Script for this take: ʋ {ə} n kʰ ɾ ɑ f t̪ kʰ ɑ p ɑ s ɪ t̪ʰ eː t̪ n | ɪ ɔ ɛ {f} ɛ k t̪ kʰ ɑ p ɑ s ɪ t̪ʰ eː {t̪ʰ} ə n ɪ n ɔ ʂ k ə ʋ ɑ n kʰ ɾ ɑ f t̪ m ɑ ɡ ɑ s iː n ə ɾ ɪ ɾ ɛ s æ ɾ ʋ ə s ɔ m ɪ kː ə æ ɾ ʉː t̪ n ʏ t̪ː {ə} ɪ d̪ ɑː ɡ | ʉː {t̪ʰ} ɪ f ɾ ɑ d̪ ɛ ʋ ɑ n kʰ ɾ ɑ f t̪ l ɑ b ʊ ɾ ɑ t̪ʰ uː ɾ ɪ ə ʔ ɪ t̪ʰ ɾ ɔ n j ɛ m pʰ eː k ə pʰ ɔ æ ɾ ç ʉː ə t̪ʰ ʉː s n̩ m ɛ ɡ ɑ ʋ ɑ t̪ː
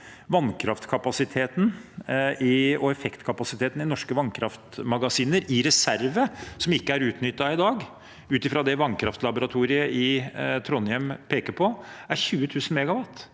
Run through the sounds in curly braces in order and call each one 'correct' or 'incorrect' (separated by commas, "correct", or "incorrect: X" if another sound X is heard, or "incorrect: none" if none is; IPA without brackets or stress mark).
incorrect: ɑ, correct, incorrect: t̪, incorrect: ɑ, incorrect: t̪